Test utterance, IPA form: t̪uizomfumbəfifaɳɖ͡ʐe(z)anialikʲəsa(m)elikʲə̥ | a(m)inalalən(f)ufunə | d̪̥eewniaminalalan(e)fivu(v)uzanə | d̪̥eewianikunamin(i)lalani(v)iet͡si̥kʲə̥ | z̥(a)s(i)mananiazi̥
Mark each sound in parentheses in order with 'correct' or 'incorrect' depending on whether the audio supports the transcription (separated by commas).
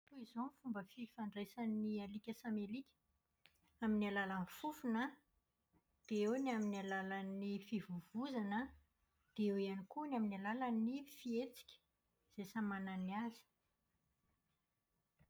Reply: incorrect, correct, correct, correct, incorrect, correct, incorrect, incorrect, incorrect, incorrect